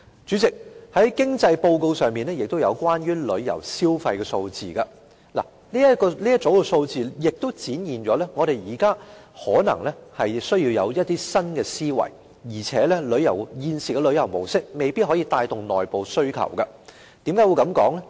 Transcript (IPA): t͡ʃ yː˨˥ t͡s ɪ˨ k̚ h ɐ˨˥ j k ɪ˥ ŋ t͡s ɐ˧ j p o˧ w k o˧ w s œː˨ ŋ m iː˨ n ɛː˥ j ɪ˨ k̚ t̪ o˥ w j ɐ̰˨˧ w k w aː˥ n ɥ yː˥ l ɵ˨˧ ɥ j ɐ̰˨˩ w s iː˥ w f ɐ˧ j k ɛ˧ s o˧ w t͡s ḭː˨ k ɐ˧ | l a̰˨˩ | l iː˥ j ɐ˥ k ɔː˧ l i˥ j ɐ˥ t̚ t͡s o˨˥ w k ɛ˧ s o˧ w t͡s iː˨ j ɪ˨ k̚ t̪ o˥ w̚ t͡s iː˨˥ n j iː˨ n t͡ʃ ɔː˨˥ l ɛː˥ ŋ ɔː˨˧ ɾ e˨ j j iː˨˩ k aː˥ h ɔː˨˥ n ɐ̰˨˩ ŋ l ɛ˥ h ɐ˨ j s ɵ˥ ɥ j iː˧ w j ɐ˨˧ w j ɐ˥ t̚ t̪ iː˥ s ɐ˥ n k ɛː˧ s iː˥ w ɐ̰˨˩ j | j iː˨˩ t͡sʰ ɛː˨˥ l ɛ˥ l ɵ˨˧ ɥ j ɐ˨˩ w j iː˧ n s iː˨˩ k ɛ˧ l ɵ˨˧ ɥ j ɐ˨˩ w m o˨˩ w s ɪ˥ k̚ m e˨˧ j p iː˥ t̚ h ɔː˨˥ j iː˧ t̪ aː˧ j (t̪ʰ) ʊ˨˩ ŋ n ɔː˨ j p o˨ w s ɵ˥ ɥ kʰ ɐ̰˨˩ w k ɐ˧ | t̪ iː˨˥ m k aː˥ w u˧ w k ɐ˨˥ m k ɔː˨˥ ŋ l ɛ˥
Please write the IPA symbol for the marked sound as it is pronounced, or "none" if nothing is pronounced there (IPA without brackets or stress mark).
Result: t̪